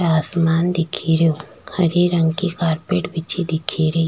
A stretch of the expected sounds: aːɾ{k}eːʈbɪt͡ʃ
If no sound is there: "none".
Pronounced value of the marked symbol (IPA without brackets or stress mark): p